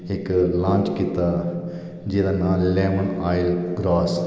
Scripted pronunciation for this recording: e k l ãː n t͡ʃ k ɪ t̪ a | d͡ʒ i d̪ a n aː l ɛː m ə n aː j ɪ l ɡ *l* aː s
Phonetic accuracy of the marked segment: incorrect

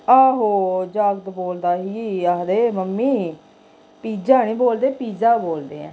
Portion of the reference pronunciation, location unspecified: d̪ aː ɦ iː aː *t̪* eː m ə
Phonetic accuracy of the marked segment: incorrect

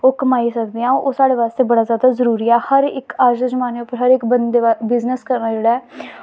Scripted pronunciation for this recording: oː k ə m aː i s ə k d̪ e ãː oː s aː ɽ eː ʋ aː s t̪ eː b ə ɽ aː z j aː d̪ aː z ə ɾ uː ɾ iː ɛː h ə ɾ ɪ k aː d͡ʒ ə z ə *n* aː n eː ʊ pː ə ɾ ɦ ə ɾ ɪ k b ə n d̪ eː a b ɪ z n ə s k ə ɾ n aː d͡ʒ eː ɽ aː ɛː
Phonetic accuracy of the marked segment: incorrect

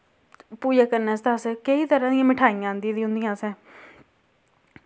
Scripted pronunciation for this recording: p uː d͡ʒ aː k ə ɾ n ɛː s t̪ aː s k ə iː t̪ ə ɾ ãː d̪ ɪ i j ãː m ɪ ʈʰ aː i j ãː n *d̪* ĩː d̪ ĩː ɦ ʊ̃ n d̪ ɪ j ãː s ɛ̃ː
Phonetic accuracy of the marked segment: correct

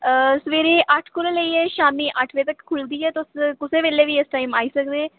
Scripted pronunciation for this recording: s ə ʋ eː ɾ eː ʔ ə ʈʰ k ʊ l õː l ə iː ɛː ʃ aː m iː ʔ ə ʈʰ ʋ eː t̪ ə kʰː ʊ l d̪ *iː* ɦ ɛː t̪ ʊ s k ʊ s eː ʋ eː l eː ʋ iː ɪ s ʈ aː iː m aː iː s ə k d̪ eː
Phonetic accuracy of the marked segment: correct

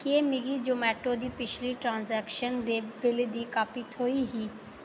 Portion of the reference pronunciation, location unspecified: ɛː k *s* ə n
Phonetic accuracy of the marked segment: incorrect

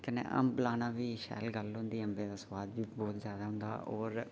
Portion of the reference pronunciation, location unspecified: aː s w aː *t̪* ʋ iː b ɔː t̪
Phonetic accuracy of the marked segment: incorrect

